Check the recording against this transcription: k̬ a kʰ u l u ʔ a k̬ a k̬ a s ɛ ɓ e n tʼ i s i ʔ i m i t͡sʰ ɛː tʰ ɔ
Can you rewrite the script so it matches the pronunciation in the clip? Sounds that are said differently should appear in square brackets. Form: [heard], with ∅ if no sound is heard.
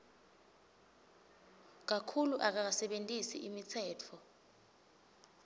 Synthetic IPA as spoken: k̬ a kʰ u l u ʔ a k̬ a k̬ a s ɛ ɓ e n tʼ i s i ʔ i m i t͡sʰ ɛː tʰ ɔ